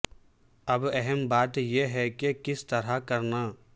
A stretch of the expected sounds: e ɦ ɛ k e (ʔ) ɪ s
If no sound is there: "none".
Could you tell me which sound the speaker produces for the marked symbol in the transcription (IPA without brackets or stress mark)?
k